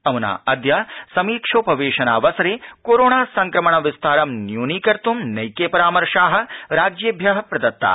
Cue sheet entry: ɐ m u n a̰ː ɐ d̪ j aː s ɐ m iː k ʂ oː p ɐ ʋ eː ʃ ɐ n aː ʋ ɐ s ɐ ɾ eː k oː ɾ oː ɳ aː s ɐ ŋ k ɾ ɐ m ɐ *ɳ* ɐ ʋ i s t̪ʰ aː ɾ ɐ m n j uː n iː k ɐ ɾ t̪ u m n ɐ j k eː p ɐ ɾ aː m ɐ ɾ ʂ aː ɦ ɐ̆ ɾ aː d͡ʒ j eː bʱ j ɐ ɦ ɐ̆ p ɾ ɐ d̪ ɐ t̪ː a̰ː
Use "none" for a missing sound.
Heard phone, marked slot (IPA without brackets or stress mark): ɳ